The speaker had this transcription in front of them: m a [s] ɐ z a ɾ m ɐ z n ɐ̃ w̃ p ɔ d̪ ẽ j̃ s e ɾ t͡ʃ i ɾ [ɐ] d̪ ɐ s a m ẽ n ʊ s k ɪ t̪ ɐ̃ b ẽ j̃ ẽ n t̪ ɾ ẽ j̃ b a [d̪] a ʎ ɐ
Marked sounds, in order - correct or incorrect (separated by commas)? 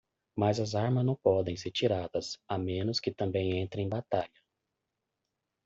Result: incorrect, incorrect, incorrect